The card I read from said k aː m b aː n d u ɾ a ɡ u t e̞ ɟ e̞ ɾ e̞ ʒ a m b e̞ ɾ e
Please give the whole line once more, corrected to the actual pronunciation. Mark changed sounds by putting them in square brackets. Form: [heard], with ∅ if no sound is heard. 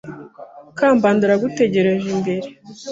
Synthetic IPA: k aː m b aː n d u ɾ a ɡ u t e̞ ɟ e̞ ɾ e̞ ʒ [i] m b e̞ ɾ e